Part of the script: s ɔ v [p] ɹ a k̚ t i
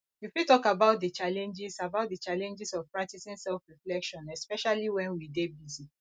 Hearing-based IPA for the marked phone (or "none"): p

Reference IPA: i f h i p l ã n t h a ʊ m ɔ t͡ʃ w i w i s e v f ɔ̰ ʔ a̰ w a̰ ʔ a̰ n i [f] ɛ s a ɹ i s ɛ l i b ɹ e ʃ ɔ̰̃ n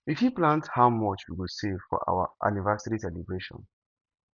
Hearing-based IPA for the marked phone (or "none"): v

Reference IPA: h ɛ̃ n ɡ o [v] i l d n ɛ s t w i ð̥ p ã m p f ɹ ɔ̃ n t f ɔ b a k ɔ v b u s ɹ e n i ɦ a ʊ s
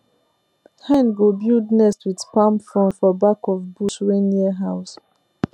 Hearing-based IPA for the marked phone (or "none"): b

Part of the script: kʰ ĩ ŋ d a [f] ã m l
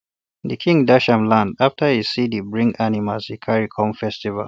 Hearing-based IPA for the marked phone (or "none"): ʃ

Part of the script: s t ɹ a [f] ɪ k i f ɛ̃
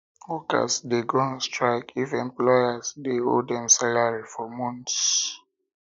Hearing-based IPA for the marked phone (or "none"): none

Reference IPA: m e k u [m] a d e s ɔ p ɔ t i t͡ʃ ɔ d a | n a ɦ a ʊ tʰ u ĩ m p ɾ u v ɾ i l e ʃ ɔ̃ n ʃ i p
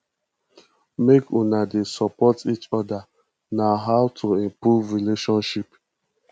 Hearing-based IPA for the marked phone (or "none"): n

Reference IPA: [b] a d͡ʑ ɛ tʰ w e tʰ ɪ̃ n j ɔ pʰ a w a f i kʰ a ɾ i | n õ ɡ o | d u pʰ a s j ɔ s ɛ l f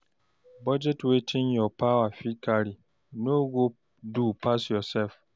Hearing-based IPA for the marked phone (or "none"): b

